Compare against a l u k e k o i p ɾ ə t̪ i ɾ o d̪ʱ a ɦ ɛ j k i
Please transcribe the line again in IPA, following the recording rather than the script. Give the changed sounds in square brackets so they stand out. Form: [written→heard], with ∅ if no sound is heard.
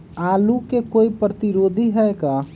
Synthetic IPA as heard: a l u k e k o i p ɾ ə t̪ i ɾ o d̪ʱ [a→i] ɦ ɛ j k [i→a]